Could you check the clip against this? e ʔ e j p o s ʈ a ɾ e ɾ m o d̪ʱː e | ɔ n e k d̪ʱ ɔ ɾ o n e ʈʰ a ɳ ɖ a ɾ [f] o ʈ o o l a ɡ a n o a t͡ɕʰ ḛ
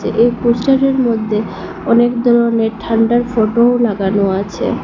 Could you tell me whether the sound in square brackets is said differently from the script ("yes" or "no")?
no